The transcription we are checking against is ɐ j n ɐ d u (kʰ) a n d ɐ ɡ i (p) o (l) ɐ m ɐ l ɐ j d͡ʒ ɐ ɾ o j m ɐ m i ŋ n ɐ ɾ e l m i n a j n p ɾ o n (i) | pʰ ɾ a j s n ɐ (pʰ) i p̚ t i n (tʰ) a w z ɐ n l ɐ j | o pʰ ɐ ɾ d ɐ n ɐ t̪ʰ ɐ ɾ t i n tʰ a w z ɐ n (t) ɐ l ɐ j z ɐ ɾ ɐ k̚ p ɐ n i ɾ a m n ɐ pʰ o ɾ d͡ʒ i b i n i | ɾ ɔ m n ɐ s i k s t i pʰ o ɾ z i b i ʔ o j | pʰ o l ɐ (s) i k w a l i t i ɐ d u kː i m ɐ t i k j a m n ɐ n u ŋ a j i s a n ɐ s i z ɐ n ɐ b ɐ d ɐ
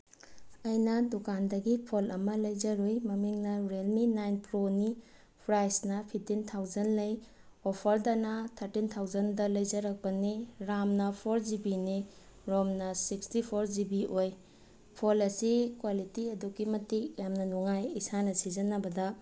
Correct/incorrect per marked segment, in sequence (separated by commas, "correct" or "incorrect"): incorrect, incorrect, correct, correct, correct, correct, incorrect, correct